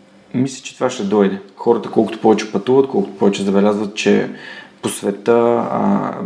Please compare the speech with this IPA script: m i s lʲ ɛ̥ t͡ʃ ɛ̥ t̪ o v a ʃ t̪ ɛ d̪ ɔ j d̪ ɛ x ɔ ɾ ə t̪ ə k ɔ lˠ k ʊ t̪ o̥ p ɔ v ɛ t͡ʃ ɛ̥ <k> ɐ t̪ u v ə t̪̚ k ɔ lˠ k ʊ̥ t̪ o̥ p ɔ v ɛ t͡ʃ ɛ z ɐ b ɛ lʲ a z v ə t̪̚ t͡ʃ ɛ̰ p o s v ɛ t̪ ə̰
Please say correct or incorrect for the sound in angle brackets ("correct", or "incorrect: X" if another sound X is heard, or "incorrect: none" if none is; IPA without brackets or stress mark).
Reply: incorrect: p